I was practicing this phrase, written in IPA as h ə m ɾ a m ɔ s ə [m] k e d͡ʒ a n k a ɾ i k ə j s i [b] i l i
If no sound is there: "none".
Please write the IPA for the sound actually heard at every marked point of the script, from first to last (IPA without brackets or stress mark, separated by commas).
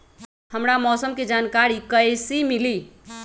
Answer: m, m